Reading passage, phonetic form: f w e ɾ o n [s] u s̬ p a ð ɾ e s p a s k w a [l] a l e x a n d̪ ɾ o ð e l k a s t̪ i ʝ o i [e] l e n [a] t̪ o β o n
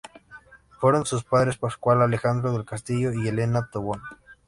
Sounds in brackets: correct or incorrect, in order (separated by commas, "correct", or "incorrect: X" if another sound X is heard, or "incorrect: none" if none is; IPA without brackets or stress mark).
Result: correct, correct, correct, correct